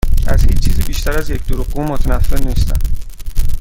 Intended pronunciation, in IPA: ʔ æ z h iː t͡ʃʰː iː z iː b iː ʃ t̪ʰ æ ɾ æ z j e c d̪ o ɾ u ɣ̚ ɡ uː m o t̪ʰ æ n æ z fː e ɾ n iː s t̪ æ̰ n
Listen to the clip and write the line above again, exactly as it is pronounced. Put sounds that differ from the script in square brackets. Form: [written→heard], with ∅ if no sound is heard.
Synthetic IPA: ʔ æ z h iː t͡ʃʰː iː z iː b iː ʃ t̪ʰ æ ɾ æ z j e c d̪ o ɾ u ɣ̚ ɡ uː m o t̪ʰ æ n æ [z→∅] fː e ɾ n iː s t̪ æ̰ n